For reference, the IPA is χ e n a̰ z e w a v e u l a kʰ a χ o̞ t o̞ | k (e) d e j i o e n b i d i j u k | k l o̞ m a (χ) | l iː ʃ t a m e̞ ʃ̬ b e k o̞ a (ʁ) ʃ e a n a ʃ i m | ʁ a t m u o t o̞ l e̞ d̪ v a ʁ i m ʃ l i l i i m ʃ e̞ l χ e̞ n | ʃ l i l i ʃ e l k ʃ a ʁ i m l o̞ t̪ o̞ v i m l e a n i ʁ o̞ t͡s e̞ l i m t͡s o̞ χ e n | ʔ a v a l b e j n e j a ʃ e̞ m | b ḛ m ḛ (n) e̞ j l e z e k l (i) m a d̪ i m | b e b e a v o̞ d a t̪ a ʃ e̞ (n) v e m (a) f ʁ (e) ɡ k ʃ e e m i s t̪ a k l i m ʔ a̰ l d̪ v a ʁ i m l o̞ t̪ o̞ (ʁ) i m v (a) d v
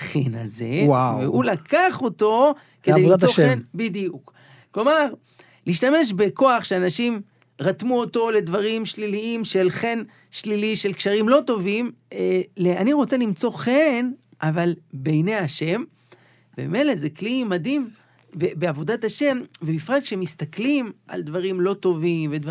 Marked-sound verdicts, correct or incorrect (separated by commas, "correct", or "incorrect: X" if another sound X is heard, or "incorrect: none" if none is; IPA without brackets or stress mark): correct, incorrect: ʁ, incorrect: χ, incorrect: m, correct, incorrect: m, incorrect: i, incorrect: a, incorrect: v, incorrect: e